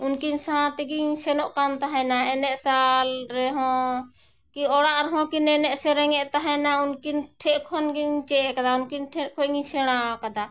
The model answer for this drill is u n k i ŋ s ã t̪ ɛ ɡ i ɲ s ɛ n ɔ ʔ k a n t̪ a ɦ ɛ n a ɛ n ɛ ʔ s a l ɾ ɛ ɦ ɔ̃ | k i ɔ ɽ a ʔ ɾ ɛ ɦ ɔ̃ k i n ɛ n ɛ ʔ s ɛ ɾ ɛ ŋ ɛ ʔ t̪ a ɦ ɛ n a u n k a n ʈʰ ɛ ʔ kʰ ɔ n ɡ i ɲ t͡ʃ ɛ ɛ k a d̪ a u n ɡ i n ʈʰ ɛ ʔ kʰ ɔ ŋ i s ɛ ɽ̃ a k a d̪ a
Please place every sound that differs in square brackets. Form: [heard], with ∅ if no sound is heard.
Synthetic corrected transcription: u n k i [n] s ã t̪ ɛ ɡ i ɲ s ɛ n ɔ ʔ k a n t̪ a ɦ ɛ n a ɛ n ɛ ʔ s a l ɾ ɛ ɦ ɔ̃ | k i ɔ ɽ a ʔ ɾ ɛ ɦ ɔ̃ k i n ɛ n ɛ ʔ s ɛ ɾ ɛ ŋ ɛ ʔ t̪ a ɦ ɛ n a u n k [i] n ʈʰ ɛ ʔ kʰ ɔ n ɡ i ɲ t͡ʃ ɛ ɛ k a d̪ a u n [k] i n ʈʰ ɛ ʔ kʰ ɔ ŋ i s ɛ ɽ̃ a k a d̪ a